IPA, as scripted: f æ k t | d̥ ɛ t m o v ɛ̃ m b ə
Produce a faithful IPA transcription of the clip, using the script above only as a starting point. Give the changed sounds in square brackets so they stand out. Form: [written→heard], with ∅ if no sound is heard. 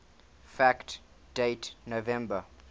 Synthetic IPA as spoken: f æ k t | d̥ [ɛ→e] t [m→n] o v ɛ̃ m b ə